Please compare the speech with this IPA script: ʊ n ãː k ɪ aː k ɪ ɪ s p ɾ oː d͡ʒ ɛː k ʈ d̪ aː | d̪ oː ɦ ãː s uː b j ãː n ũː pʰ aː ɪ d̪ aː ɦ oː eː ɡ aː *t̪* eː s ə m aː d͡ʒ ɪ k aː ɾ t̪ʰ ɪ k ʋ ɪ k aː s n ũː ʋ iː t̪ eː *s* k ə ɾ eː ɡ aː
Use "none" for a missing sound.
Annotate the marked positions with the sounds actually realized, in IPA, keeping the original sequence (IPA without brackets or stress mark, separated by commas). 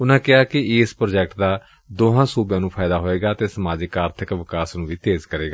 t̪, z